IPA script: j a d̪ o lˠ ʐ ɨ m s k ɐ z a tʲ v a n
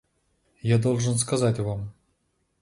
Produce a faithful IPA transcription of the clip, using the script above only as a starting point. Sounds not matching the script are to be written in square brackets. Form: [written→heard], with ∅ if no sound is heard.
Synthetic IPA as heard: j a d̪ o lˠ ʐ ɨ [m→n] s k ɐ z a tʲ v a [n→m]